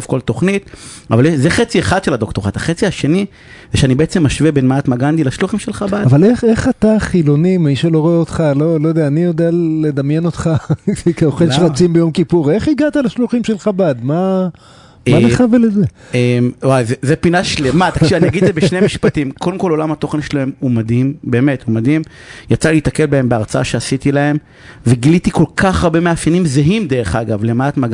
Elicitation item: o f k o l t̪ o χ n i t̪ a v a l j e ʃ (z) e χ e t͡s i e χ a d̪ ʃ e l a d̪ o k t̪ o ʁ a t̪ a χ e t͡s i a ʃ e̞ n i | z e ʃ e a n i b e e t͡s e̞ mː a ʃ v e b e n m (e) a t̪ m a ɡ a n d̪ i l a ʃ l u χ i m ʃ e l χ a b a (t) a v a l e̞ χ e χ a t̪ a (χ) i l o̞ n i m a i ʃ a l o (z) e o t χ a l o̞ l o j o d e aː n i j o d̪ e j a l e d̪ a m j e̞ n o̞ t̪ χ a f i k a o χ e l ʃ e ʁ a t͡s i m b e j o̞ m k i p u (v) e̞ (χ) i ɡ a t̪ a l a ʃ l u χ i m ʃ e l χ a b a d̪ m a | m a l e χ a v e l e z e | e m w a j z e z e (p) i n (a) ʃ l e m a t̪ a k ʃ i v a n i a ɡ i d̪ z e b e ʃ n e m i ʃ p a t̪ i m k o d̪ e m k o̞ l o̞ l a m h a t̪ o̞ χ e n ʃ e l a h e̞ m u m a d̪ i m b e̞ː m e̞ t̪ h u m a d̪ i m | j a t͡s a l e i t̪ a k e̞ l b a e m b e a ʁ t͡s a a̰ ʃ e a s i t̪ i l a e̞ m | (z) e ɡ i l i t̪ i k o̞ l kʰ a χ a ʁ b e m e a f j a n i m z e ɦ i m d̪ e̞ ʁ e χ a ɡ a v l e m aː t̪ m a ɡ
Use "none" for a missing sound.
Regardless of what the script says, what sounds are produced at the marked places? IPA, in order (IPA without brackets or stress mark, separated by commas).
z, a, d, χ, ʁ, ʁ, χ, p, a, v